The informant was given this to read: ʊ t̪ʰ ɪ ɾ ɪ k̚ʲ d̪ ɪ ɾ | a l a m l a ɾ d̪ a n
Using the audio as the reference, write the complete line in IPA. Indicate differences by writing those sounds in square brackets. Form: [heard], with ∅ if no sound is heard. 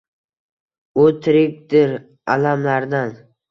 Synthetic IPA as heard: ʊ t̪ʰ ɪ ɾ ɪ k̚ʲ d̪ ɪ ɾ | a l a m l a ɾ d̪ a n